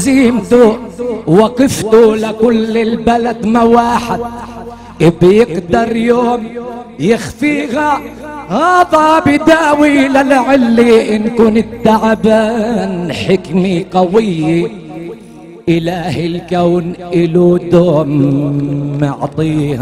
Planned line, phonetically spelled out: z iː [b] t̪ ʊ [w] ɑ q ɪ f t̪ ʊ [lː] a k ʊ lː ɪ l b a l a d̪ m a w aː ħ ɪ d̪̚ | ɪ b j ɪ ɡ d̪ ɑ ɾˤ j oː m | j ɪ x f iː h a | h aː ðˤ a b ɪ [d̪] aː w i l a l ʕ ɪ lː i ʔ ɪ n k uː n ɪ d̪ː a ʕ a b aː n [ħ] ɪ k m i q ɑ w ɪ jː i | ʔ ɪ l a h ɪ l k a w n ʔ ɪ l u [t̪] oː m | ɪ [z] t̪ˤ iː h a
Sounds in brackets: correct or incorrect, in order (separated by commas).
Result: incorrect, correct, incorrect, correct, correct, incorrect, incorrect